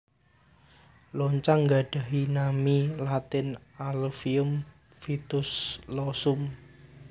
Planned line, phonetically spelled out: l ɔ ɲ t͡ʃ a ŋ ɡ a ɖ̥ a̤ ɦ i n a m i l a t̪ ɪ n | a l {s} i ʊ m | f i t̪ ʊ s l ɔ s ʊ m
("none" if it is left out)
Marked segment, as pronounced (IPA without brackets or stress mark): f